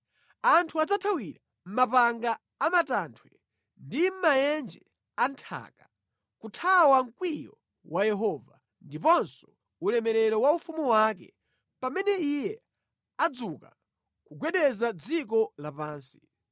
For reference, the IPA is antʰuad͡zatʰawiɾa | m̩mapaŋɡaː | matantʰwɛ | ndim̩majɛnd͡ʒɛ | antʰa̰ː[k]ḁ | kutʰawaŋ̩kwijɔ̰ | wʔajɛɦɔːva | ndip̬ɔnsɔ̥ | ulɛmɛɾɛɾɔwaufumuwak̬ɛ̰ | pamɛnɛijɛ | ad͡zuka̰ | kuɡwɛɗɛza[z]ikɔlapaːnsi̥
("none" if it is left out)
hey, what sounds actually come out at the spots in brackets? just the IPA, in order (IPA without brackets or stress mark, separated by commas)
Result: k, d͡z